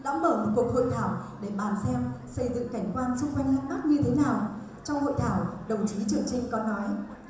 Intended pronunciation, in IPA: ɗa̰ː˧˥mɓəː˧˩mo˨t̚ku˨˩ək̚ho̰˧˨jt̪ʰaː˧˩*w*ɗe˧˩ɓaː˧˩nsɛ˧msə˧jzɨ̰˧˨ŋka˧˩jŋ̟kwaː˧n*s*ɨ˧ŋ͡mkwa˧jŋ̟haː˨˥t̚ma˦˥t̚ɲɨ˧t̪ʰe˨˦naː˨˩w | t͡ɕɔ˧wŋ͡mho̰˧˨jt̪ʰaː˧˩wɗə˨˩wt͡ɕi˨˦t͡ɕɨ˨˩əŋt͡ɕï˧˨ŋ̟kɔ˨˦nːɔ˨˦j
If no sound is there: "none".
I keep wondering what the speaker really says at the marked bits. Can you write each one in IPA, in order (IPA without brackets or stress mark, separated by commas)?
w, s